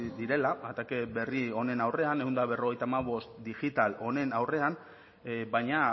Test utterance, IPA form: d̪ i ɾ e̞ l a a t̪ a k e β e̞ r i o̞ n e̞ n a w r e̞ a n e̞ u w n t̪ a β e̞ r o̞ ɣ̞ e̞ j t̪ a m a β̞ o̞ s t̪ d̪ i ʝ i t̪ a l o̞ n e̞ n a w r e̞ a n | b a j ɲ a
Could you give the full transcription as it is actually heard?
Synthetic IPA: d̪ i ɾ e̞ l a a t̪ a k e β e̞ r i o̞ n e̞ n a w r e̞ a n e̞ u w n d̪ a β e̞ r o̞ ɣ̞ e̞ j t̪ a m a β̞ o̞ s t̪ d̪ i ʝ i t̪ a l o̞ n e̞ n a w r e̞ a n | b a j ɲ a